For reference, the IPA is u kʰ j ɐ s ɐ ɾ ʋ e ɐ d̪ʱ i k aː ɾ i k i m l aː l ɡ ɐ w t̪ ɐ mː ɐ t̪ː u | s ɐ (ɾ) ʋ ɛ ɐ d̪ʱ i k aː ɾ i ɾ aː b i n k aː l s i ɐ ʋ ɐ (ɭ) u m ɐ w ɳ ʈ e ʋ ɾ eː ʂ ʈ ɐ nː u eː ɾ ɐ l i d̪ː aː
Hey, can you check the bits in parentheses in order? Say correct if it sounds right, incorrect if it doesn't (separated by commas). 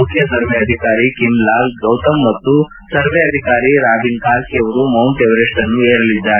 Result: correct, incorrect